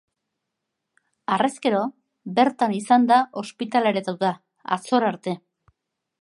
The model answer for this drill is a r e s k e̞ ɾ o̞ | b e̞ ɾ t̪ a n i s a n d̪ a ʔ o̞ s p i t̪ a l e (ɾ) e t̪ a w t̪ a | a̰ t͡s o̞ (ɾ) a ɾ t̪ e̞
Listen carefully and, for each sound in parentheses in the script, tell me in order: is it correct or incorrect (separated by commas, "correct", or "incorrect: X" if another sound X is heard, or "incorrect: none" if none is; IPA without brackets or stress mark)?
correct, correct